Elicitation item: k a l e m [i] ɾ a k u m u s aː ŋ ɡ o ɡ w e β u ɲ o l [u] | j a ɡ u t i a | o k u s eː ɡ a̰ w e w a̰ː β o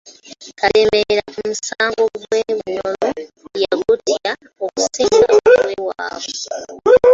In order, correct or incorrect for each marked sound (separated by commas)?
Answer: incorrect, incorrect